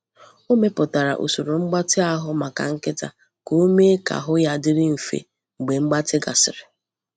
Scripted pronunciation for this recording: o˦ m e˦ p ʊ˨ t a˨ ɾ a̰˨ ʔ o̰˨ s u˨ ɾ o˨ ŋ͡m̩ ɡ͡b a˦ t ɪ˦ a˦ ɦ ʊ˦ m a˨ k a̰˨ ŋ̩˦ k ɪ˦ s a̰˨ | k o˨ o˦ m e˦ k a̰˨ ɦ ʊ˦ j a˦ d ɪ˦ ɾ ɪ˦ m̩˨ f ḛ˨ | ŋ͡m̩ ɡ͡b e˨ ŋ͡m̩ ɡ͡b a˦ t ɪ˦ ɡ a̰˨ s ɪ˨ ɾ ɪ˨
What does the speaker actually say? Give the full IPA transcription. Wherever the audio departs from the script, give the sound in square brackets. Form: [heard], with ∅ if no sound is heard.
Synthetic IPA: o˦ m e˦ p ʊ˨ t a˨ ɾ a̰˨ ʔ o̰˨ s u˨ ɾ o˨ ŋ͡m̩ ɡ͡b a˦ t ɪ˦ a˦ ɦ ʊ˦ m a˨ k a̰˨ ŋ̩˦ k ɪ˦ [t] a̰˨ | k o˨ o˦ m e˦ k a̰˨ ɦ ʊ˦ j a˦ d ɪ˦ ɾ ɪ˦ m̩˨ f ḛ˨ | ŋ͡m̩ ɡ͡b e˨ ŋ͡m̩ ɡ͡b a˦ t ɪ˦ ɡ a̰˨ s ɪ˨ ɾ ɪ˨